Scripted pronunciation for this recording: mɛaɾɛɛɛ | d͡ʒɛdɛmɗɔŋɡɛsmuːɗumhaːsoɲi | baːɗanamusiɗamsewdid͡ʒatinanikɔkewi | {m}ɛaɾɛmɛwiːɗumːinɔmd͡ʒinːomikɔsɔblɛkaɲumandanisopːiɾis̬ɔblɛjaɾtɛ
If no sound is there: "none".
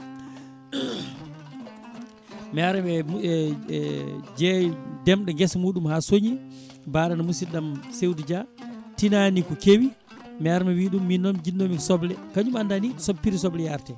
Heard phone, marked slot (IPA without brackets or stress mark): m